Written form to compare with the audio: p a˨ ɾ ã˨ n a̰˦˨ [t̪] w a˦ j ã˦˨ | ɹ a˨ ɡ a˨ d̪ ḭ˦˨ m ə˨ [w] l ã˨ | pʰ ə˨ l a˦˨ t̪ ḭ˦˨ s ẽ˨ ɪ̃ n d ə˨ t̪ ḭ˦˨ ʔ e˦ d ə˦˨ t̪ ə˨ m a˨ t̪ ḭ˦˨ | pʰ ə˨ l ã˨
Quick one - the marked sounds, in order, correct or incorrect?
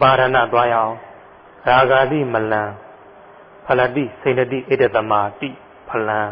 correct, incorrect

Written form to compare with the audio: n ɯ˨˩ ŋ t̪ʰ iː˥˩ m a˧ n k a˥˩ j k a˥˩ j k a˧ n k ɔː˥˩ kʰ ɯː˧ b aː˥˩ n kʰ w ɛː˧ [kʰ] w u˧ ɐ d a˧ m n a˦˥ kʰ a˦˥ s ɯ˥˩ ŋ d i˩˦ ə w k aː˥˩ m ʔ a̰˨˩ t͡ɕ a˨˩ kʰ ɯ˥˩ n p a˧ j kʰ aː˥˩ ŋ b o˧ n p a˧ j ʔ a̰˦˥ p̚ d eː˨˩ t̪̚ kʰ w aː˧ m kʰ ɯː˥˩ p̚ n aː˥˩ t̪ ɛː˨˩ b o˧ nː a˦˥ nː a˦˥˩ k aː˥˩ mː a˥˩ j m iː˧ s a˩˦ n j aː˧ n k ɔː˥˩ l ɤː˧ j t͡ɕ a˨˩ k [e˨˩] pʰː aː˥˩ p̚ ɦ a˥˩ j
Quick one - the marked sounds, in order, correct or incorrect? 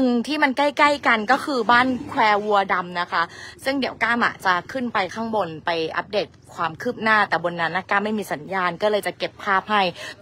incorrect, correct

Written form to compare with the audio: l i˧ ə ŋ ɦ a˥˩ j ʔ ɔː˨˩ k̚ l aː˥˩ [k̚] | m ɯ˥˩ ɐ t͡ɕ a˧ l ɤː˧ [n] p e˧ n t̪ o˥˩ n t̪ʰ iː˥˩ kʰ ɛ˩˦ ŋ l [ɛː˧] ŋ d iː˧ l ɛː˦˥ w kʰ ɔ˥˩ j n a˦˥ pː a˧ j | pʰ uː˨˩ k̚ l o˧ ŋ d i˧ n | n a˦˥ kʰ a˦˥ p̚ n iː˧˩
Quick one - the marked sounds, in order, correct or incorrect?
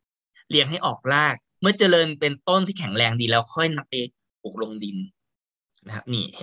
correct, correct, correct

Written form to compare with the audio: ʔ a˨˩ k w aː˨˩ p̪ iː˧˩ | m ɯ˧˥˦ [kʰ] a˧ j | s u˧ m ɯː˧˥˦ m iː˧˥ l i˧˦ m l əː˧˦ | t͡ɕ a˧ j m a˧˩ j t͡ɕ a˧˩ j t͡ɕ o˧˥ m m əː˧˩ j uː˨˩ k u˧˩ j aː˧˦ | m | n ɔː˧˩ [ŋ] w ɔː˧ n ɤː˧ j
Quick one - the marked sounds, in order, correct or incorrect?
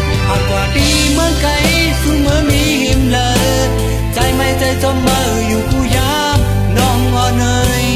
incorrect, correct

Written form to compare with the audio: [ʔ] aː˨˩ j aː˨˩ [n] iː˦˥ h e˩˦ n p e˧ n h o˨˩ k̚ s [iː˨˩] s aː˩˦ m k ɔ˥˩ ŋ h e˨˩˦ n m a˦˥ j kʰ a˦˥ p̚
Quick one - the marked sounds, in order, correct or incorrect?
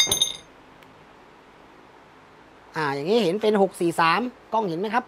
correct, incorrect, correct

